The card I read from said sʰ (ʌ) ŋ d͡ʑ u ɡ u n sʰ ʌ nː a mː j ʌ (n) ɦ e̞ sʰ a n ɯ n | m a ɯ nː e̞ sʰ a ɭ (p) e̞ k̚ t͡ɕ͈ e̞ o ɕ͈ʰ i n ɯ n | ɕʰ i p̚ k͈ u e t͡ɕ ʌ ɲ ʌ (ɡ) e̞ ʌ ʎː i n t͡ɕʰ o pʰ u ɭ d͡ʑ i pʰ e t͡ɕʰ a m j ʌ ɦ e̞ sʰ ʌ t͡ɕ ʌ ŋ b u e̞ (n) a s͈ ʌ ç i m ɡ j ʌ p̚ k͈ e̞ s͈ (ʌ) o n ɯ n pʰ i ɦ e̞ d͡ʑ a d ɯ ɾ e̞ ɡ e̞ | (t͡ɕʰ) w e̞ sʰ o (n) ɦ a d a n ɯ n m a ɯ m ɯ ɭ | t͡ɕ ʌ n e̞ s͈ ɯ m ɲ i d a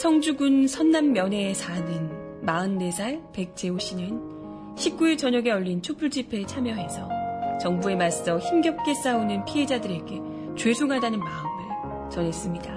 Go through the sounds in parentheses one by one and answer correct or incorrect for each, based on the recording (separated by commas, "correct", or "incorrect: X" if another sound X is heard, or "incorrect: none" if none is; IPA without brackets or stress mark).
correct, correct, correct, correct, incorrect: m, incorrect: a, incorrect: t͡ɕ, incorrect: ŋ